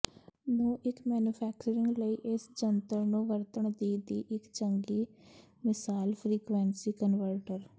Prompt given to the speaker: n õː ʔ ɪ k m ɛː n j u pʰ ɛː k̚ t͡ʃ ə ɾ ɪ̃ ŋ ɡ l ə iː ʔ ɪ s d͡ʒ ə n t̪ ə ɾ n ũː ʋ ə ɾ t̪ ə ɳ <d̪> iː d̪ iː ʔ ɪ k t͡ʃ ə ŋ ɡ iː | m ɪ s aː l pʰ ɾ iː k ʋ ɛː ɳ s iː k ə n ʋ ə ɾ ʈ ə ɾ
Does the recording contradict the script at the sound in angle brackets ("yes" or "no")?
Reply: no